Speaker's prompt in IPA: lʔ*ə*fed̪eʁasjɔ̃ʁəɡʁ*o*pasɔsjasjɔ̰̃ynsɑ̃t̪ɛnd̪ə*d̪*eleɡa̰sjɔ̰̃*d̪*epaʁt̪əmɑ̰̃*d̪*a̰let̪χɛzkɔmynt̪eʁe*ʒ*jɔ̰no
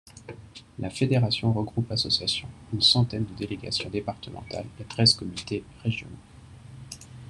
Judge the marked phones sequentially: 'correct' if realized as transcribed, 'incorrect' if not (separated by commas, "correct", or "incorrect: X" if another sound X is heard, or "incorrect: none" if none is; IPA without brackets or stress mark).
incorrect: a, incorrect: u, correct, correct, incorrect: t̪, correct